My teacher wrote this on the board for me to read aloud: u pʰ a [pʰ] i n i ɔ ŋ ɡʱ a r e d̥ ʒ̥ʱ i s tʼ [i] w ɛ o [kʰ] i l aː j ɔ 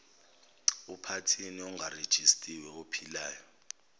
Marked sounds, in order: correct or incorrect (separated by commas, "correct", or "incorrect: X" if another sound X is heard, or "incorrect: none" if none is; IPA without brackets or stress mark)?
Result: incorrect: tʰ, correct, incorrect: pʰ